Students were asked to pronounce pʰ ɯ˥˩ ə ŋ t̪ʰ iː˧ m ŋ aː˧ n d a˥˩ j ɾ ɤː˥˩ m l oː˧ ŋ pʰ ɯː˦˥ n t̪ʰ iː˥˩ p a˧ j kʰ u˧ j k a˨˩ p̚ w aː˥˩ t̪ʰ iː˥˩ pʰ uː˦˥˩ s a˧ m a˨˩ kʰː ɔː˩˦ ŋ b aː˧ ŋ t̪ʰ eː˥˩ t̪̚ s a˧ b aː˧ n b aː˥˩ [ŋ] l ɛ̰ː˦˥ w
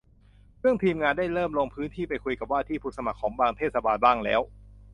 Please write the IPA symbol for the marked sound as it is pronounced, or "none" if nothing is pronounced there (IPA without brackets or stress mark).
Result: ŋ